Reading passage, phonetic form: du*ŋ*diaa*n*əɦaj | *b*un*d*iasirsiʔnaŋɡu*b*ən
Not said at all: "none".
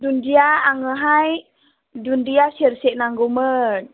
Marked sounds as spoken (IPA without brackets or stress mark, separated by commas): n, ŋ, d, d, m